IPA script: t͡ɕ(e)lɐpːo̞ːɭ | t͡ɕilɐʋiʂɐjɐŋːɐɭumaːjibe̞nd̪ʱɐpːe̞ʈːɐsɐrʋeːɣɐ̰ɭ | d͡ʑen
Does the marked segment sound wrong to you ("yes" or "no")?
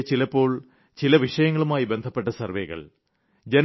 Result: yes